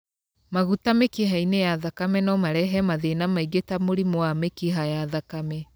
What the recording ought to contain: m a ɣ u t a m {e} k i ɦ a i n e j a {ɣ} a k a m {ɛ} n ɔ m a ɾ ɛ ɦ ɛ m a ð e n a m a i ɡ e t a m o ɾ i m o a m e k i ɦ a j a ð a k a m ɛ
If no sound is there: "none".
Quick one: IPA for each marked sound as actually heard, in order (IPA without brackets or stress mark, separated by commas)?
e, ð, ɛ